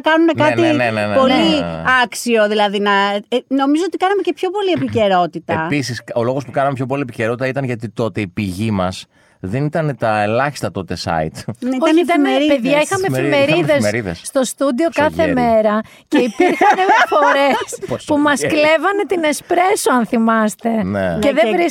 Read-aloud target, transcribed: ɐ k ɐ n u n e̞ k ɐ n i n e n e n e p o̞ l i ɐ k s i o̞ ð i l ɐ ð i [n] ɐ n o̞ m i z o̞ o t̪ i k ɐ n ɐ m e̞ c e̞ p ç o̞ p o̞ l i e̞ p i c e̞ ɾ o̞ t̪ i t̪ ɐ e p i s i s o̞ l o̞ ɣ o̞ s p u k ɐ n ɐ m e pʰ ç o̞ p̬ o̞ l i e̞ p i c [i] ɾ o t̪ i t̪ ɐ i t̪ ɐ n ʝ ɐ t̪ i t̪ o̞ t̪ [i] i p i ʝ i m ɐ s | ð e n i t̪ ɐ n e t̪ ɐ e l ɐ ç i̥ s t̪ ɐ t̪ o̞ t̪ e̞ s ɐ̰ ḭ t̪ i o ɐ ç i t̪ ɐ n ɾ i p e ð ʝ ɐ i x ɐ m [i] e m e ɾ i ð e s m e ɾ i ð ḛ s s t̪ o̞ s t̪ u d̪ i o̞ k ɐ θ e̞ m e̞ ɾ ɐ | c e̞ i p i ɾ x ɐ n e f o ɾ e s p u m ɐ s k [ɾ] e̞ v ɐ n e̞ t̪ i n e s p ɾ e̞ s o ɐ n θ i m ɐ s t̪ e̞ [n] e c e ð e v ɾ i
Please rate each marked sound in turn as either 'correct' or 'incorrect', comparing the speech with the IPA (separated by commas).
correct, incorrect, incorrect, incorrect, incorrect, correct